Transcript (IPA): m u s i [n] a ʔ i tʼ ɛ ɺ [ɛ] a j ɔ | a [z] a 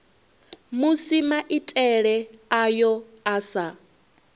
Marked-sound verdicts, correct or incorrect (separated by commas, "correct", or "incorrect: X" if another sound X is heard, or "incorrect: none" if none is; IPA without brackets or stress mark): incorrect: m, correct, incorrect: s